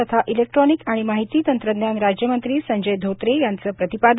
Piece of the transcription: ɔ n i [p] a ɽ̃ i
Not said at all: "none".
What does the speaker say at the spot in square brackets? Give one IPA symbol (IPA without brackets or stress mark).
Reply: k